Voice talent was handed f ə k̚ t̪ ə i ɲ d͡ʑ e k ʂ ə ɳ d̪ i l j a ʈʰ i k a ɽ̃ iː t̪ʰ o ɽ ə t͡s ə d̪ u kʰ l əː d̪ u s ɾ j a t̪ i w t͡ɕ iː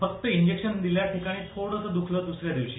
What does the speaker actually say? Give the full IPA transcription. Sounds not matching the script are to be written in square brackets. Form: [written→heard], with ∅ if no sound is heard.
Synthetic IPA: f ə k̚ t̪ ə i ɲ d͡ʑ e k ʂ ə [ɳ→n] d̪ i l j a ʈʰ i k a ɽ̃ iː t̪ʰ o ɽ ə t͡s ə d̪ u kʰ l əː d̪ u s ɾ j a [t̪→d̪] i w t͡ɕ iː